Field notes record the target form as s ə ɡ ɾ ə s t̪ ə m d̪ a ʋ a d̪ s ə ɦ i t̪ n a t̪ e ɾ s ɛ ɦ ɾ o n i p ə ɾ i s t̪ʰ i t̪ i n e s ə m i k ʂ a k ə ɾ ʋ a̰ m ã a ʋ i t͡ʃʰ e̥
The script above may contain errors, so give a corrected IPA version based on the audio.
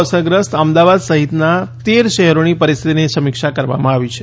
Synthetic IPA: s ə ɡ ɾ ə s t̪ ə m d̪ a ʋ a d̪ s ə ɦ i t̪ n a t̪ e ɾ ʃ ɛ ɦ ɾ o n i p ə ɾ i s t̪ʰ i t̪ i n e s ə m i k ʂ a k ə ɾ ʋ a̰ m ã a ʋ i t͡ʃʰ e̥